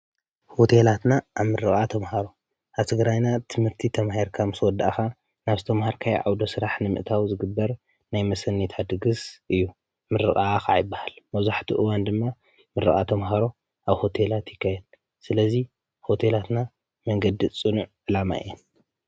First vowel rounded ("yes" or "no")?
yes